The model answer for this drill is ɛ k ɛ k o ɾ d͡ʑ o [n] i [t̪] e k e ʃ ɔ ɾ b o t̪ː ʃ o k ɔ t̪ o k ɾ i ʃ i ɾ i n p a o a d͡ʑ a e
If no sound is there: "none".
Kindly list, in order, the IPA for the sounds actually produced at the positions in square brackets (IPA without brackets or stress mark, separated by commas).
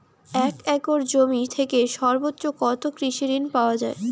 m, t̪ʰ